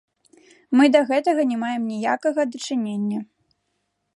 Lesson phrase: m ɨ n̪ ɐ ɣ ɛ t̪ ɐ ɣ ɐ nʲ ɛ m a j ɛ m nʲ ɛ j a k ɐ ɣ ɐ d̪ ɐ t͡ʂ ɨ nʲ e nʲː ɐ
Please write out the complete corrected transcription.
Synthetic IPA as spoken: m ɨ d̪ ɐ ɣ ɛ t̪ ɐ ɣ ɐ nʲ ɛ m a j ɛ m nʲ i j a k ɐ ɣ ɐ d̪ ɐ t͡ʂ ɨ nʲ e nʲː ɐ